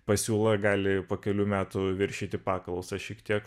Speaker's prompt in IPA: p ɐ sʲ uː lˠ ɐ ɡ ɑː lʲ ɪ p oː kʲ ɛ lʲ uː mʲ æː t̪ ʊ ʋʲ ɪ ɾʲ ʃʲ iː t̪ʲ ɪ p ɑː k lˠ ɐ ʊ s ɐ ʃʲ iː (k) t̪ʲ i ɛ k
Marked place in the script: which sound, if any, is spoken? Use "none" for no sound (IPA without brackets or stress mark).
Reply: k